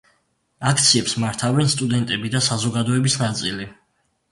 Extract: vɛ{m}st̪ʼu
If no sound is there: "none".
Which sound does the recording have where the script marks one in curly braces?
n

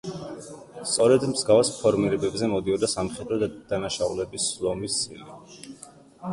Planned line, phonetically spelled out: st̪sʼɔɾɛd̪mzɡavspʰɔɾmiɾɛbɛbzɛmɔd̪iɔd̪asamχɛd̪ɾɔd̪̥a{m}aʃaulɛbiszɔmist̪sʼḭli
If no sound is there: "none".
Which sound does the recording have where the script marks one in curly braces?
n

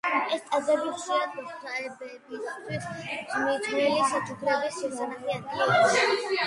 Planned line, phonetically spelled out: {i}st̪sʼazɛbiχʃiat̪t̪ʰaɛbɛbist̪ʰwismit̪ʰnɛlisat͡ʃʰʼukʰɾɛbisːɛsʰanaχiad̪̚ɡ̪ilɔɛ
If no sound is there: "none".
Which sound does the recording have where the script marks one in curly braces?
ɛ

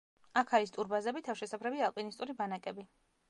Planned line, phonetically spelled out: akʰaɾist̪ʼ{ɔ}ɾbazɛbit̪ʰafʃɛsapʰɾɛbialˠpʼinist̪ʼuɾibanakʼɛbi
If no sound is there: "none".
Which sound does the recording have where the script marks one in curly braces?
u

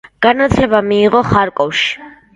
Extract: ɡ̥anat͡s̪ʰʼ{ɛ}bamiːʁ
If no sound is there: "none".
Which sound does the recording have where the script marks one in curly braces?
ɛ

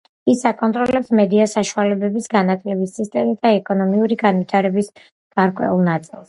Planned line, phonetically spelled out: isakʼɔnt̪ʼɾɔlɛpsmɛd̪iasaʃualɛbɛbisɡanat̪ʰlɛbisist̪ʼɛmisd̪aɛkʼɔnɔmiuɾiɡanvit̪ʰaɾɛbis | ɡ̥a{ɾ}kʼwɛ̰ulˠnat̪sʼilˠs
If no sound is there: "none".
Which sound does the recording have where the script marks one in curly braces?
ɾ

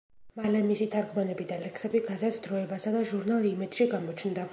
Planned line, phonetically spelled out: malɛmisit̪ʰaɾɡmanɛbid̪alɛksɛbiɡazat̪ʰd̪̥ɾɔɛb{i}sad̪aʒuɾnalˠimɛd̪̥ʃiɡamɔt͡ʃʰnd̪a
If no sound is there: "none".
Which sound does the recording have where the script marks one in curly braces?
a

